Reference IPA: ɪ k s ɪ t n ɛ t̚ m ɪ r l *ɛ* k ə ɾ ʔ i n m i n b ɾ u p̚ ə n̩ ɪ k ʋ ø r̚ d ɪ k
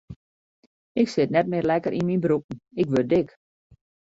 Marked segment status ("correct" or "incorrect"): correct